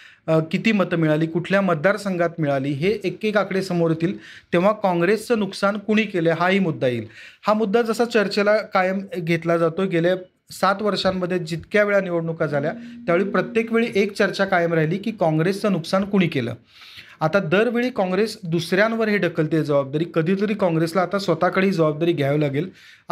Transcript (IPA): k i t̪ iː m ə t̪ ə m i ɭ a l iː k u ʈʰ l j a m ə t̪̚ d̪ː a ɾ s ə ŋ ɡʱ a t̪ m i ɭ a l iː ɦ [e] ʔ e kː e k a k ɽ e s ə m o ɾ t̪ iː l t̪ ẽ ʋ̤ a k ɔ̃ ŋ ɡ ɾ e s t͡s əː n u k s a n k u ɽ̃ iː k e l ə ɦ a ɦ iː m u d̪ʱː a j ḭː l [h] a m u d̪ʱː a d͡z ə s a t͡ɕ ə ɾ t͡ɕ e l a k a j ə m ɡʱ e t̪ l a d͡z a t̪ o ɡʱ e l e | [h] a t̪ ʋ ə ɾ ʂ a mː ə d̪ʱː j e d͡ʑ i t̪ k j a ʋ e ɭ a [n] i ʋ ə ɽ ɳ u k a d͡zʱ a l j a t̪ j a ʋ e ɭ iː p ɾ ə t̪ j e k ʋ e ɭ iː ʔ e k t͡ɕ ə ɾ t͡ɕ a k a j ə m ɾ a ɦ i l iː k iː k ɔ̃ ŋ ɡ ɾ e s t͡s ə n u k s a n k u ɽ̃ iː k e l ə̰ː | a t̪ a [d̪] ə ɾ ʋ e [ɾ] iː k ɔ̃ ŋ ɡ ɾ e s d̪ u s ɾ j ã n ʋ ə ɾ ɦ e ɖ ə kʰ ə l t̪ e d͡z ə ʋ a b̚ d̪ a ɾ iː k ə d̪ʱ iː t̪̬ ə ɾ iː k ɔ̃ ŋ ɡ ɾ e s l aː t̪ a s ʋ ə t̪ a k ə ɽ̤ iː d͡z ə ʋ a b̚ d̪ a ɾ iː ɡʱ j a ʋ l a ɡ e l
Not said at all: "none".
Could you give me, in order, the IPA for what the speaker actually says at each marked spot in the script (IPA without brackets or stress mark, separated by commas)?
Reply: e, h, s, n, d̪, ɭ